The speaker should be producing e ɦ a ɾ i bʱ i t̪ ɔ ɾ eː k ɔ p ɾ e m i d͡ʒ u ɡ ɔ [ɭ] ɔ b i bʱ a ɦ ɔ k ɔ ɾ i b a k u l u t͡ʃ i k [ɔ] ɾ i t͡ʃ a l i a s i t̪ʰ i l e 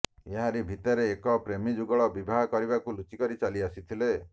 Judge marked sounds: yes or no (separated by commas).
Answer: yes, yes